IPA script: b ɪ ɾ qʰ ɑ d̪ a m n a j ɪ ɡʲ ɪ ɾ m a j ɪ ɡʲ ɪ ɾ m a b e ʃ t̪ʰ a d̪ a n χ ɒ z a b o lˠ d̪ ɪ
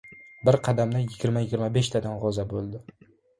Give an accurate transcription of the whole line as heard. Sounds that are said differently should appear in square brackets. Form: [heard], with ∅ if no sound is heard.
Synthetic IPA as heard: b ɪ ɾ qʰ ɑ d̪ a m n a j ɪ ɡʲ ɪ ɾ m a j ɪ ɡʲ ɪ ɾ m a b e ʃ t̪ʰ a d̪ a n [ʁ] ɒ z a b o lˠ d̪ ɪ

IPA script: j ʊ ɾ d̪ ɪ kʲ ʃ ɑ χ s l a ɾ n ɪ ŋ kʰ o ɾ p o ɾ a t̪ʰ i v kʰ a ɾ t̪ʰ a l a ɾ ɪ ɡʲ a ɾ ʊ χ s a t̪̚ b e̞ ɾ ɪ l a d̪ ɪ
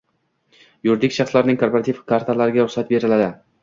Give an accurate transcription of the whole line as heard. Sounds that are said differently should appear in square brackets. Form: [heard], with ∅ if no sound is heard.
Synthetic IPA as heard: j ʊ ɾ d̪ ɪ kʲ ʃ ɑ χ s l a ɾ n ɪ ŋ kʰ o ɾ p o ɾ a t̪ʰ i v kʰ a ɾ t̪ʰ a l a ɾ ɪ ɡʲ a ɾ ʊ χ s a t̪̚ b e̞ ɾ ɪ l a d̪ ɪ

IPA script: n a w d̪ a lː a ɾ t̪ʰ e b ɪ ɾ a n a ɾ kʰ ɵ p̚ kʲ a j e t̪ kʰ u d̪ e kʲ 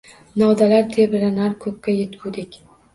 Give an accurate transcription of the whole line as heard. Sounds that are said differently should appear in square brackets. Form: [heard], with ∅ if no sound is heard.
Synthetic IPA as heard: n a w d̪ a [l] a ɾ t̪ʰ e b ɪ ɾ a n a ɾ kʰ ɵ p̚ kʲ a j e t̪ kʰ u d̪ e kʲ

